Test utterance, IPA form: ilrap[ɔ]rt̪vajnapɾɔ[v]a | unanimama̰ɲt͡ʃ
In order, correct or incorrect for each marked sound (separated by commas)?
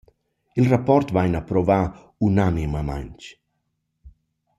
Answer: correct, correct